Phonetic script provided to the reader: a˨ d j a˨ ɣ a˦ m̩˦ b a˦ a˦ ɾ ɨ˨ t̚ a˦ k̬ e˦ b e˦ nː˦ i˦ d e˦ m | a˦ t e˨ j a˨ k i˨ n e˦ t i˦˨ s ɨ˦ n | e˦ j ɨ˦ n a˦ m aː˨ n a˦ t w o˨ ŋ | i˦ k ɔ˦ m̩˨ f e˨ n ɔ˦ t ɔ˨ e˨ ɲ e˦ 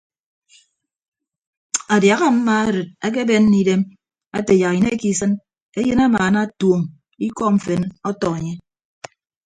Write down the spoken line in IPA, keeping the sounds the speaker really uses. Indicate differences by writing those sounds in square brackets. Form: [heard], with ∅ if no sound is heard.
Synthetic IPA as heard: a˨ d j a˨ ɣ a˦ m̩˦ [m] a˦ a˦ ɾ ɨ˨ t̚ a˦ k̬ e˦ b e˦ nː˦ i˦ d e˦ m | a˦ t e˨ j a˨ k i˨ n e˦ [k] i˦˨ s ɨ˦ n | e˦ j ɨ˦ n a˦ m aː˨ n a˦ t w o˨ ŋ | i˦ k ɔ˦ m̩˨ f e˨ n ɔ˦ t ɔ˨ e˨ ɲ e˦